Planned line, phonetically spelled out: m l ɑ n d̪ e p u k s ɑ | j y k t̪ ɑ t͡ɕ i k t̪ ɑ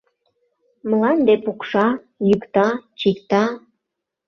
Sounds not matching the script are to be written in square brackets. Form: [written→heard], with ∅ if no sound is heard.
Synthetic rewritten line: m l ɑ n d̪ e p u k [s→ʃ] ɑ | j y k t̪ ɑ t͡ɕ i k t̪ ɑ